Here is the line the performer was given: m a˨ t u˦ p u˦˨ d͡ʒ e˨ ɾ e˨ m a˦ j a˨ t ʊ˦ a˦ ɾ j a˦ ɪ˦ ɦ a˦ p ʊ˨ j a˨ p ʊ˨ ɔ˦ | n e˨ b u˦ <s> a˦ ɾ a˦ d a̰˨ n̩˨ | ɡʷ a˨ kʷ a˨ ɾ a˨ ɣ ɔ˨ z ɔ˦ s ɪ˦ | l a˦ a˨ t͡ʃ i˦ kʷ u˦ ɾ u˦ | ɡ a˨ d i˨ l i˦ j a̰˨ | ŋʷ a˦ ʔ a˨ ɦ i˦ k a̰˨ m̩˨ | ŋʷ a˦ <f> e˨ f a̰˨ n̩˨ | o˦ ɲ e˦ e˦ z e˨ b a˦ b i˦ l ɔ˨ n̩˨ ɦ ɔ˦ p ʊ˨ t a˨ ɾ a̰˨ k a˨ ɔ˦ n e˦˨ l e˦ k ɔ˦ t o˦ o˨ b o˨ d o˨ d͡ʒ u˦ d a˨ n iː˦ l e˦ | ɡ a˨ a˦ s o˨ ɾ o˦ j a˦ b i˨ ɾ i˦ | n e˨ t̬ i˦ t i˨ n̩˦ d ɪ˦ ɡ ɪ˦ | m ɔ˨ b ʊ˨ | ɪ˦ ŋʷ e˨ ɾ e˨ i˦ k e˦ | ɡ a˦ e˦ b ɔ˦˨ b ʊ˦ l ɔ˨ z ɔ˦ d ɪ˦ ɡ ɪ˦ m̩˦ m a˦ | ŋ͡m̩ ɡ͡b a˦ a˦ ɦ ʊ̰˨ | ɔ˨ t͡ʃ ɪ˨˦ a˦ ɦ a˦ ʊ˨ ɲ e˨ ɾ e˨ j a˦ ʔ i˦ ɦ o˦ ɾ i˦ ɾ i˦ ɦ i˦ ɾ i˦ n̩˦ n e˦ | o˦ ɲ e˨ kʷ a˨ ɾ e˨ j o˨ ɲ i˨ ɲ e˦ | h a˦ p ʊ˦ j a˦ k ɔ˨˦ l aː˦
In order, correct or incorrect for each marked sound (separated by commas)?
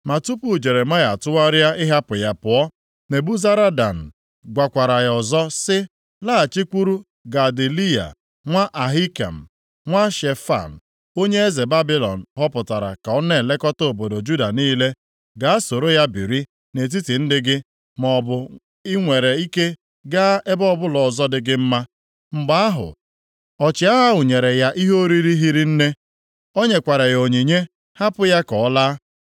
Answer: incorrect, incorrect